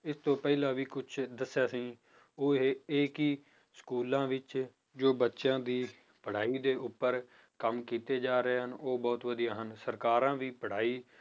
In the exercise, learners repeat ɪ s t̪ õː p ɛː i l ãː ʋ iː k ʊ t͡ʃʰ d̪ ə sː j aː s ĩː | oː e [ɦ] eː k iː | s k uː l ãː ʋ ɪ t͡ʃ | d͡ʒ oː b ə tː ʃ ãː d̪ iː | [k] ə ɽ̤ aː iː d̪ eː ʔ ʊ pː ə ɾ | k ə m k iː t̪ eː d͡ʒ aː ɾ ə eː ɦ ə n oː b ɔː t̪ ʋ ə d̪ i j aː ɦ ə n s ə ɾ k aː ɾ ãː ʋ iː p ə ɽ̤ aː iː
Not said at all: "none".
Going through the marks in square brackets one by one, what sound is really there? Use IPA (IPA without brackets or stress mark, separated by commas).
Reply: none, p